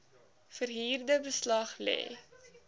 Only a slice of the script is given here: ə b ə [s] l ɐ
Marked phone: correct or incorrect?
correct